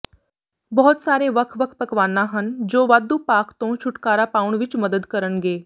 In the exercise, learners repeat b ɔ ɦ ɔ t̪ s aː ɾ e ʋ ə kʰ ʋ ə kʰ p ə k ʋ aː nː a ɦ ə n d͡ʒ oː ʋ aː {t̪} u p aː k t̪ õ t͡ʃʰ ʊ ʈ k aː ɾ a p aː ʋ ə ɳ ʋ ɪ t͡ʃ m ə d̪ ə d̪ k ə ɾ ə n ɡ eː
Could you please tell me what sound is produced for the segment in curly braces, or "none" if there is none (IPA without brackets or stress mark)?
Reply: d̪